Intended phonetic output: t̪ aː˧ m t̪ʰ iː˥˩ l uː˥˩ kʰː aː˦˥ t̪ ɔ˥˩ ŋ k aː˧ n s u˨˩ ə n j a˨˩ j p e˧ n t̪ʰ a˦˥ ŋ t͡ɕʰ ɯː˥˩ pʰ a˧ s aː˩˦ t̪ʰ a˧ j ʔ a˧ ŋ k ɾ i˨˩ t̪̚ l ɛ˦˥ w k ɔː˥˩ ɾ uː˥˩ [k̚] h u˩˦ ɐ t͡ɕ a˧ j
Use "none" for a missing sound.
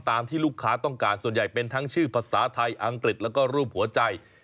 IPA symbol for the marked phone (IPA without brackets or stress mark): p̚